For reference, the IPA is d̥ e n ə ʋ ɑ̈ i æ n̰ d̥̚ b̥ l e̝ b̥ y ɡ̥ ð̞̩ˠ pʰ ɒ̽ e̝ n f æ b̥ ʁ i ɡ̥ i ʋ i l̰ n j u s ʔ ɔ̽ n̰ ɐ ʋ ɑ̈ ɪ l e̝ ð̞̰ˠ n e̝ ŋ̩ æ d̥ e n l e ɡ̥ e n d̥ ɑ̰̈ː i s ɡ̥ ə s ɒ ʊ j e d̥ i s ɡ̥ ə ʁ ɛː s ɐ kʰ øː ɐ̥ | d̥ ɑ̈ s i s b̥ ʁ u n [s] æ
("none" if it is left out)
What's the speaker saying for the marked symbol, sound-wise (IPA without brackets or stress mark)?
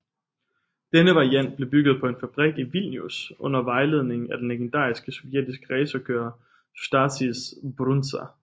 s